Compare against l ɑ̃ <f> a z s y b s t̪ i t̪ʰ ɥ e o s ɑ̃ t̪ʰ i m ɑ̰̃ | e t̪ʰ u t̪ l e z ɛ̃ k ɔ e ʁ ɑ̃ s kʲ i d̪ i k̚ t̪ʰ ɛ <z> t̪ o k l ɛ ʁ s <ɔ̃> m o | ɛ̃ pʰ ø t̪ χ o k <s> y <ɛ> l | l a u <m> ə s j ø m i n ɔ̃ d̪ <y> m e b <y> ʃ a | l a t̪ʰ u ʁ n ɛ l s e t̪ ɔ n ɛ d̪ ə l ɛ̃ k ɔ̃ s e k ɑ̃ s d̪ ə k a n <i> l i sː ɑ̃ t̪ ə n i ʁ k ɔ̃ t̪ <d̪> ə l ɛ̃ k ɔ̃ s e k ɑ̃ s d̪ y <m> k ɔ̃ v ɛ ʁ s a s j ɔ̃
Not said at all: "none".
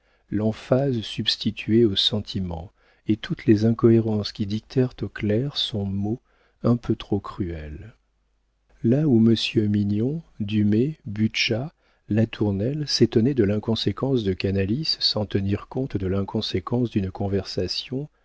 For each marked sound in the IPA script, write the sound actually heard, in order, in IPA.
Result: f, ʁ, ɔ̃, χ, ɛ, m, y, y, a, d̪, n

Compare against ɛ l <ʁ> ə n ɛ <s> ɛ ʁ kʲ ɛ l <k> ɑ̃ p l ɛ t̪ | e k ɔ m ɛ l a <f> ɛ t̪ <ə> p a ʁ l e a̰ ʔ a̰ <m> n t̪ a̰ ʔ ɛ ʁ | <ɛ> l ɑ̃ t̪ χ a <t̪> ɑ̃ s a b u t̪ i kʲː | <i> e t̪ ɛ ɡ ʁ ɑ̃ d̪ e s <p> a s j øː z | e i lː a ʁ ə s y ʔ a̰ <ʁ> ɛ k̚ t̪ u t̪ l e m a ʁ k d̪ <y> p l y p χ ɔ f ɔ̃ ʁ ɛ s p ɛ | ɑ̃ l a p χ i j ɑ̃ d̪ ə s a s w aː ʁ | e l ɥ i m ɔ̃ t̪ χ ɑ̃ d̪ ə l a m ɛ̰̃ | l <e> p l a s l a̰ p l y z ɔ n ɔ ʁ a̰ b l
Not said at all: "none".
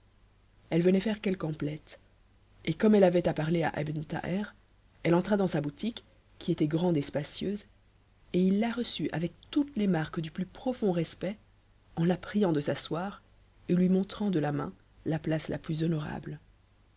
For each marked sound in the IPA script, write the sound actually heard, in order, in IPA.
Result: v, f, k, v, a, b, ɛ, d̪, i, p, v, y, a

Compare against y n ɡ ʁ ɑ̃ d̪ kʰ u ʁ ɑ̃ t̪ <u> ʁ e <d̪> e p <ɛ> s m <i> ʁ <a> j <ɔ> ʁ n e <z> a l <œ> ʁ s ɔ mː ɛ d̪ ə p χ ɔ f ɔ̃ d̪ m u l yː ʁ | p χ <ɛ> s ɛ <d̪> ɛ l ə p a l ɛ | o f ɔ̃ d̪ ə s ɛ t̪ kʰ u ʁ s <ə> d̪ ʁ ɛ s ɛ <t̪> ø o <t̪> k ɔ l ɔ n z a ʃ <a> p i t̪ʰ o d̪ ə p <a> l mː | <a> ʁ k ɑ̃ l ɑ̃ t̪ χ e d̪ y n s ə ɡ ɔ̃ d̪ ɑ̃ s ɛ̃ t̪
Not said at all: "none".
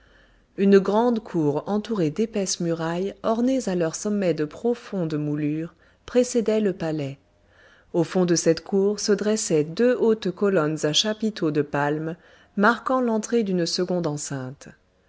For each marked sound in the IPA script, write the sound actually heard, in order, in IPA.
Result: u, d̪, ɛ, y, a, ɔ, z, œ, e, d̪, ə, d̪, t̪, a, a, a

